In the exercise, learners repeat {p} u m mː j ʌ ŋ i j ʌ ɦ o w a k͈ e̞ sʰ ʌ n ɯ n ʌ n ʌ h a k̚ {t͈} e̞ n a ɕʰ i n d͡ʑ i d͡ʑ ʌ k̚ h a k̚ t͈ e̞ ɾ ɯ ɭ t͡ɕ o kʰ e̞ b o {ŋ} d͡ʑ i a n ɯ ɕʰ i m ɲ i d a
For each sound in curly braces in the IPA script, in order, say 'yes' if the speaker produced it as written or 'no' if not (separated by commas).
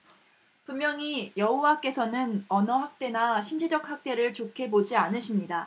yes, yes, no